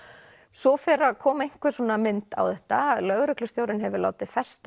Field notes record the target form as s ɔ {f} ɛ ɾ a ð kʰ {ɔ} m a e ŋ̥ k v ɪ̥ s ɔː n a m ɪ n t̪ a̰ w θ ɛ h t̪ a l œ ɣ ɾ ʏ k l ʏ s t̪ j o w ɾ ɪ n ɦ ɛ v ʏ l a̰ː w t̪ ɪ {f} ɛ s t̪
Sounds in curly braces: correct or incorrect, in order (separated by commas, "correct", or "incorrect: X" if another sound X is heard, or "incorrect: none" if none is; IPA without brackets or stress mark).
correct, incorrect: ɔː, correct